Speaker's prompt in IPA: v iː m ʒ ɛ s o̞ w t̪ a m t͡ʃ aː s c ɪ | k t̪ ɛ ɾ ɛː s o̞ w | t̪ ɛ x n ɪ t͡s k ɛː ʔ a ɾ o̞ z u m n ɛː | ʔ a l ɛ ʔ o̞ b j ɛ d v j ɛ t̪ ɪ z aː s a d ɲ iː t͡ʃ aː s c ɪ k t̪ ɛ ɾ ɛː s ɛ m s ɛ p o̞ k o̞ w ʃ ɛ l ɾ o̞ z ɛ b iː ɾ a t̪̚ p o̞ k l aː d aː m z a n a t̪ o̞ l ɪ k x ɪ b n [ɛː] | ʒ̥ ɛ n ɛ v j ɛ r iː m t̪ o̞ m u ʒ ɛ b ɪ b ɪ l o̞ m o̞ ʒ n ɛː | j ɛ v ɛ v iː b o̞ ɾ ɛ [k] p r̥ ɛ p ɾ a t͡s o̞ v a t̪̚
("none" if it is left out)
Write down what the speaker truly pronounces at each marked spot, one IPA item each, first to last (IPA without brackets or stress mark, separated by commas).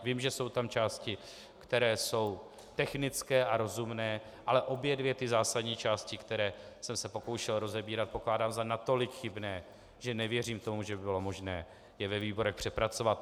ɛː, x